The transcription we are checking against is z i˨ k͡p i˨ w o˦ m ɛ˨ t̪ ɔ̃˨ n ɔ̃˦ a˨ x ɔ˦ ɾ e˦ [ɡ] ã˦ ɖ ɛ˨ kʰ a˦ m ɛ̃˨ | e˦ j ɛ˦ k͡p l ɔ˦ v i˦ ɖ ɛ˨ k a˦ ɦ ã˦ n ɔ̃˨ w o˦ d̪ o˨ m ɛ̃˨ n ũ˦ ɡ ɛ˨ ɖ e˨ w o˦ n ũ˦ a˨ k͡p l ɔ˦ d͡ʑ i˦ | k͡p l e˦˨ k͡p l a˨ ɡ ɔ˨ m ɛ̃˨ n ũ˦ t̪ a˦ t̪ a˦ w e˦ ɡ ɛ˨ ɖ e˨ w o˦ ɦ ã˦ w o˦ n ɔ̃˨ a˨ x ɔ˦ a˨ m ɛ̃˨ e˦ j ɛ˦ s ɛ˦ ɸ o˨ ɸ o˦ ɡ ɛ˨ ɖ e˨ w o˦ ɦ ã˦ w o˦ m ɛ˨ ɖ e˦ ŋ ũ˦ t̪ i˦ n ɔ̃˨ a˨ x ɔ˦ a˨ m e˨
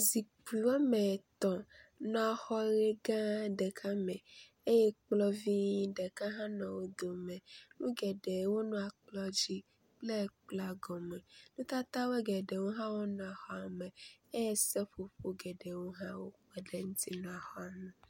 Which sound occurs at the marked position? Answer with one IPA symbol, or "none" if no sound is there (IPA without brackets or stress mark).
ɡ